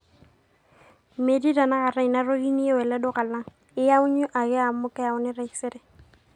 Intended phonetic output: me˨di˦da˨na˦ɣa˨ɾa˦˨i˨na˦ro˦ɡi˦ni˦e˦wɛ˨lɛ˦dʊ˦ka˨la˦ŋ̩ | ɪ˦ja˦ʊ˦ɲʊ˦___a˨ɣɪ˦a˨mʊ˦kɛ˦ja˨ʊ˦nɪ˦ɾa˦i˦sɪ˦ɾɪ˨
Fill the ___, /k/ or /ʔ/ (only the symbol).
ʔ